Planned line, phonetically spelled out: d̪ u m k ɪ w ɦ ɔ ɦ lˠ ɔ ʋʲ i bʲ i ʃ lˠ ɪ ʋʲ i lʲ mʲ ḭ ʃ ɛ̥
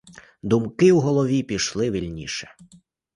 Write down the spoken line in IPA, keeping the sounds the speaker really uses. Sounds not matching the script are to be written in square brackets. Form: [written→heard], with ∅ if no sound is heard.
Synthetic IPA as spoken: d̪ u m k ɪ w ɦ ɔ [ɦ→∅] lˠ ɔ ʋʲ i [bʲ→pʲ] i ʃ lˠ ɪ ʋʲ i lʲ [mʲ→nʲ] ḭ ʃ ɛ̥